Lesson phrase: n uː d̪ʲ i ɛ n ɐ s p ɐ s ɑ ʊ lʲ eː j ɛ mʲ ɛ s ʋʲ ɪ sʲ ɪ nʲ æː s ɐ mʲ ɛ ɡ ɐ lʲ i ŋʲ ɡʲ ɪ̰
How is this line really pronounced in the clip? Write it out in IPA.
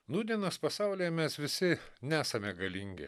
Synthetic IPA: n uː d̪ʲ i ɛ n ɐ s p ɐ s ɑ ʊ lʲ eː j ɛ mʲ ɛ s ʋʲ ɪ sʲ ɪ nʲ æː s ɐ mʲ ɛ ɡ ɐ lʲ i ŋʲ ɡʲ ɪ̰